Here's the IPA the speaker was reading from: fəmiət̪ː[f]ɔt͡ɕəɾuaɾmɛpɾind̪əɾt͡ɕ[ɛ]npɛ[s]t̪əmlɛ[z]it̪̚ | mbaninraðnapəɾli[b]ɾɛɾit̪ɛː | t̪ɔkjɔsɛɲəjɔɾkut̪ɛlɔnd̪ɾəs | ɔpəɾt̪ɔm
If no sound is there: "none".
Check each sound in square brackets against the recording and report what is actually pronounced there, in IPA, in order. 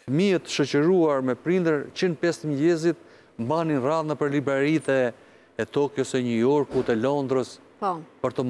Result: ʃ, i, s, z, b

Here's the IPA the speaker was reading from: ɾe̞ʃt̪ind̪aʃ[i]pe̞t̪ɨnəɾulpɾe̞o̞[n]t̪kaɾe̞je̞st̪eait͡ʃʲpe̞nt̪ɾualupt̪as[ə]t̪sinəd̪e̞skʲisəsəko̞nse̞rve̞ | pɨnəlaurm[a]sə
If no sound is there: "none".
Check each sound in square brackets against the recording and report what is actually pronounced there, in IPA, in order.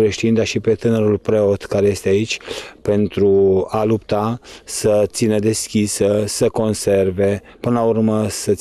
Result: i, none, ə, ə

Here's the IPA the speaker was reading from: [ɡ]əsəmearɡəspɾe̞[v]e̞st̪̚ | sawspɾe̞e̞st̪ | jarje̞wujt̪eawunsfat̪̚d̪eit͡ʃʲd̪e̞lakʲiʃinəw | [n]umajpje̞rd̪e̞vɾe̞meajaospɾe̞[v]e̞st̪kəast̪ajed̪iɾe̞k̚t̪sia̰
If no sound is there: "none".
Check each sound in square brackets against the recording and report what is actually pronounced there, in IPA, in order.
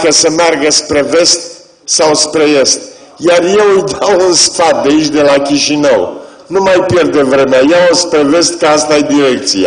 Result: k, v, n, v

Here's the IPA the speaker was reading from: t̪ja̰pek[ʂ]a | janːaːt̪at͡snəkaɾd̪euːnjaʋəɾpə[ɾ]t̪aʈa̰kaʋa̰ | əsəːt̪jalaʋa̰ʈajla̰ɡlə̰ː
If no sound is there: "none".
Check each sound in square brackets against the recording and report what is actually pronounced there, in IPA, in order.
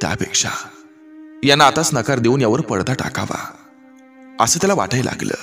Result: ʂ, ɽ

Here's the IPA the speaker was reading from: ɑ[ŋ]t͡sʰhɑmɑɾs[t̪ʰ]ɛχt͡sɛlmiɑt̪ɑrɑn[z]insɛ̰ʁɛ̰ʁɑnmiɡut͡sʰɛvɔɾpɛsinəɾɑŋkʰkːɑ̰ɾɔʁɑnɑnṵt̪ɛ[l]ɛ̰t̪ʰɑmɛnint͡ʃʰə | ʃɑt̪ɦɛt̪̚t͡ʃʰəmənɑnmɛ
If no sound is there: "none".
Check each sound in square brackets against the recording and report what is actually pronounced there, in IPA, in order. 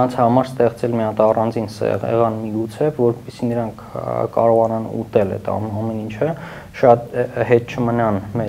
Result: n, t̪, d͡z, l

